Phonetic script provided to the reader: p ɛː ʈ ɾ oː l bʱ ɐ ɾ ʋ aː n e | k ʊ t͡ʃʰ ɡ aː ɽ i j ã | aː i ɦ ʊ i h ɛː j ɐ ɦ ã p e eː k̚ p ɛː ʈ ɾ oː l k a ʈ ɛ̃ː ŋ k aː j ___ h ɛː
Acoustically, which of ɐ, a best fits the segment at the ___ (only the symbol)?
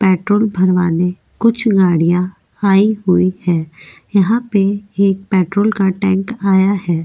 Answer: a